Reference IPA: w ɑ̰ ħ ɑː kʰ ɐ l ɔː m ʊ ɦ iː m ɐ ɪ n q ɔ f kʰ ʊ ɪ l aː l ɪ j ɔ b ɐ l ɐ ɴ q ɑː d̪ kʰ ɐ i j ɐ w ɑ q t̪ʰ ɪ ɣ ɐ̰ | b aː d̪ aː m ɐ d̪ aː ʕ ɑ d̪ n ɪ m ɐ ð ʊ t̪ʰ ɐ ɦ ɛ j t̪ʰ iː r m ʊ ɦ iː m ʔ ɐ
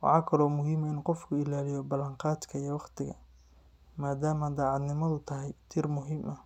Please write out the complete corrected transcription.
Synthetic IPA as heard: w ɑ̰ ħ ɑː kʰ ɐ l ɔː m ʊ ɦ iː m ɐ ɪ n q ɔ f kʰ ʊ ɪ l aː l ɪ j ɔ b ɐ l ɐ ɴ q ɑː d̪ kʰ ɐ i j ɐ w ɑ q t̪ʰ ɪ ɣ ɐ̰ | m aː d̪ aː m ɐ d̪ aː ʕ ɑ d̪ n ɪ m ɐ ð ʊ t̪ʰ ɐ ɦ ɛ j t̪ʰ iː r m ʊ ɦ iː m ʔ ɐ